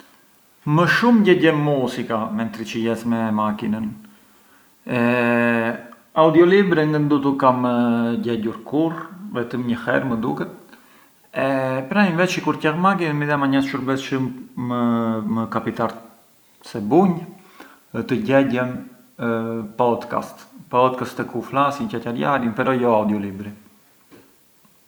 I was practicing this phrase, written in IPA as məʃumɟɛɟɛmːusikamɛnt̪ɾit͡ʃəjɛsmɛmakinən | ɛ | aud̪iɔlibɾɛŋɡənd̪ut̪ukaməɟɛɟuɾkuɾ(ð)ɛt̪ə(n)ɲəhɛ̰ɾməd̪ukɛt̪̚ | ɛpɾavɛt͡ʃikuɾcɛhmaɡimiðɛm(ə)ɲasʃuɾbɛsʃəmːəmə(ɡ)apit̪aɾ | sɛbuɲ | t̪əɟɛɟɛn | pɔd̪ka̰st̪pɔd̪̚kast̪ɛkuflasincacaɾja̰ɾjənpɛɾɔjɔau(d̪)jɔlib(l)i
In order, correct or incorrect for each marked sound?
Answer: incorrect, incorrect, incorrect, incorrect, correct, incorrect

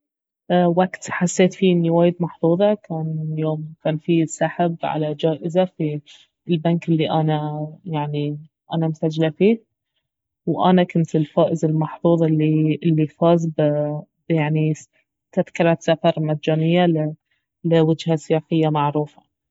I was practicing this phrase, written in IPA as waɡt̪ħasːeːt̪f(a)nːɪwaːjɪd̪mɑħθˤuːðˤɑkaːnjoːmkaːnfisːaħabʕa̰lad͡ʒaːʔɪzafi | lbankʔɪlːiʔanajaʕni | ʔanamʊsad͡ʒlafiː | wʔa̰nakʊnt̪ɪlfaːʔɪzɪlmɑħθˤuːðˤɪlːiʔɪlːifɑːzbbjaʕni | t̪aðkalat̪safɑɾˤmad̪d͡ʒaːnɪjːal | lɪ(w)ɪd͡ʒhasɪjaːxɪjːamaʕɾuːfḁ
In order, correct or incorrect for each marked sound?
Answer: incorrect, correct

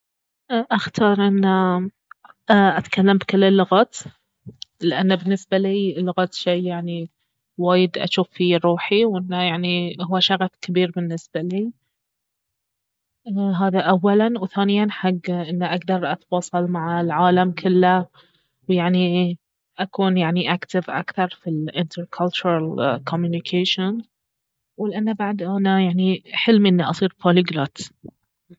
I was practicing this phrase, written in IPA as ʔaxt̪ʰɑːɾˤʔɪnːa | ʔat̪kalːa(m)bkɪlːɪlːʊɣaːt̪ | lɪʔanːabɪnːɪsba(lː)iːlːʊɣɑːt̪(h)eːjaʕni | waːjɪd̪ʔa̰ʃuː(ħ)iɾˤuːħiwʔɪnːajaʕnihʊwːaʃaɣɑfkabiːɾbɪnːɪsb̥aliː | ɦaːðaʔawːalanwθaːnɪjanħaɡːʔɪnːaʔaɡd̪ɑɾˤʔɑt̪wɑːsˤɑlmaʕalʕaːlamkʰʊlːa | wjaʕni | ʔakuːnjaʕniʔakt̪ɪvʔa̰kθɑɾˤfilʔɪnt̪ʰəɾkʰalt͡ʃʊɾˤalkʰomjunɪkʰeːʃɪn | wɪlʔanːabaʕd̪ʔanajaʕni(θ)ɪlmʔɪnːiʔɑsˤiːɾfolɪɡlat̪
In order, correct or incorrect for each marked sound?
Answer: correct, incorrect, incorrect, incorrect, incorrect

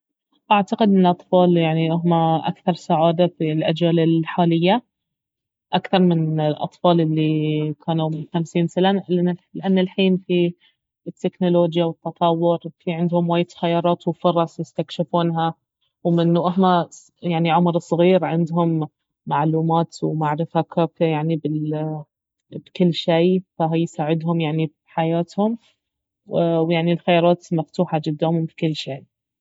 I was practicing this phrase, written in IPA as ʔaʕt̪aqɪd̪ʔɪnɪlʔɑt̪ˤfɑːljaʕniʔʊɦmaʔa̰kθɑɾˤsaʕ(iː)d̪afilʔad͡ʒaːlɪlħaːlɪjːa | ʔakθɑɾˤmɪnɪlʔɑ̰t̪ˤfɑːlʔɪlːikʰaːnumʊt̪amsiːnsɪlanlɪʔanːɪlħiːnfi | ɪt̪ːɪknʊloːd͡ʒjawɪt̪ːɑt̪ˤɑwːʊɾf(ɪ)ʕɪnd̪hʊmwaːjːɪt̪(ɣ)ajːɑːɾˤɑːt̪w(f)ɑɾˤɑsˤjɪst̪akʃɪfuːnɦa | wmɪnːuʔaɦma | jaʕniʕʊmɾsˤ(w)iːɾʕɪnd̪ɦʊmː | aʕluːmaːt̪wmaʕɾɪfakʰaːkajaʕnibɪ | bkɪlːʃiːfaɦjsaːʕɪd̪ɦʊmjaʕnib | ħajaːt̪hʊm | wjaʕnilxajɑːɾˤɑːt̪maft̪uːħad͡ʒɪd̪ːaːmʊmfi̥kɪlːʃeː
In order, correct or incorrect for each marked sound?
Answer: incorrect, incorrect, incorrect, correct, incorrect

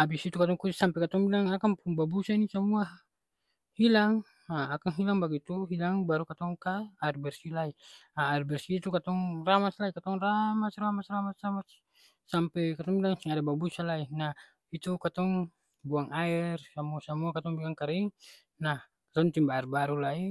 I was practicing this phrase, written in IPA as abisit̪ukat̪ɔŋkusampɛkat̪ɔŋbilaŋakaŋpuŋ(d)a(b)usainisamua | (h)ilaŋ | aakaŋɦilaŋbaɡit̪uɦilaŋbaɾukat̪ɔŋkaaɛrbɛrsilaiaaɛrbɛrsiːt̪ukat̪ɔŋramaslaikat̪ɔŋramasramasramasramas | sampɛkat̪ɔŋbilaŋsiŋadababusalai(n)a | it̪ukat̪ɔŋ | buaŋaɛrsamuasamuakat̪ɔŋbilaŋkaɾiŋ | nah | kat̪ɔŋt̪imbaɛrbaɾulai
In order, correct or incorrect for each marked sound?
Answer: incorrect, correct, correct, correct

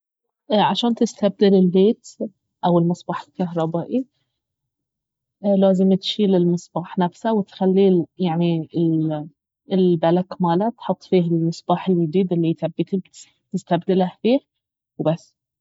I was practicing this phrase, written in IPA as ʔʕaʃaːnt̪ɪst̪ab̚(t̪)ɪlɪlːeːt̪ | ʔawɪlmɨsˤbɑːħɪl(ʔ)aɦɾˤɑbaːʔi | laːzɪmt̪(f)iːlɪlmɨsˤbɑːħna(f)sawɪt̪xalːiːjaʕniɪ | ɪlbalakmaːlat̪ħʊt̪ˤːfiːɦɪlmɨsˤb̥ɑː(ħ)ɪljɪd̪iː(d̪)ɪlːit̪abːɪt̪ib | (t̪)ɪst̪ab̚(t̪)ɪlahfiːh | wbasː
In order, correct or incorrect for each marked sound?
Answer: incorrect, incorrect, incorrect, correct, correct, correct, correct, incorrect

